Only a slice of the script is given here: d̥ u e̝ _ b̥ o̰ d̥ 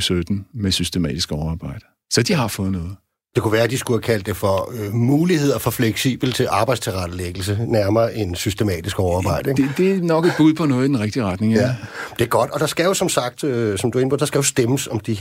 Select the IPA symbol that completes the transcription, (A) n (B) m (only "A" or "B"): A